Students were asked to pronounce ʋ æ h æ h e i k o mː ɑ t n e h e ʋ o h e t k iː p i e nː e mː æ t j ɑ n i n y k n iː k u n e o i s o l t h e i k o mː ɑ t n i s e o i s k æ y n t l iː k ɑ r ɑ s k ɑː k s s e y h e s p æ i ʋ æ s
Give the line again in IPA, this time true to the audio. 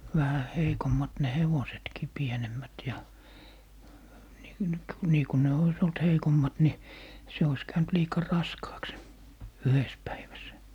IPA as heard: ʋ æ h æ h e i k o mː ɑ t n e h e ʋ o s e t k iː p i e n e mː æ t j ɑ n i n y k n iː k u n e o i s o l t h e i k o mː ɑ t n i s e o i s k æ y n t l iː k ɑ r ɑ s k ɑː k s s e y h e s p æ i ʋ æ s